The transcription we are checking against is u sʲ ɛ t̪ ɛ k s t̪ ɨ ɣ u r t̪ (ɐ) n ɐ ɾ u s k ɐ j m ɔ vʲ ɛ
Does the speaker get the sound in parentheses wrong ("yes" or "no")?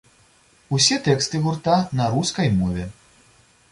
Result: yes